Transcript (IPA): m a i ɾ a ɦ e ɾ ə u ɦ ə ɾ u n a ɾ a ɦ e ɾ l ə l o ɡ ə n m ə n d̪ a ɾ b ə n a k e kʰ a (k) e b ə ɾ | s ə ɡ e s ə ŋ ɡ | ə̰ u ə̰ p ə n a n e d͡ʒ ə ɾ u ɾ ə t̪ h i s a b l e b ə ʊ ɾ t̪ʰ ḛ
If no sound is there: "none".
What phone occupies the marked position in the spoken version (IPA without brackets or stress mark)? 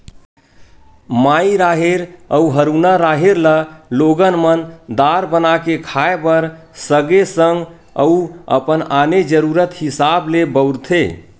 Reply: none